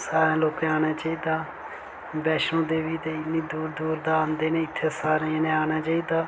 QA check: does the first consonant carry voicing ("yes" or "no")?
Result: no